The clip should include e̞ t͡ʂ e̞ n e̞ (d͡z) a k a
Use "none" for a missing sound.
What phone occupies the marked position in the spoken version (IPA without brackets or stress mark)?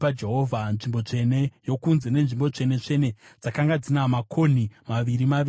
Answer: d͡z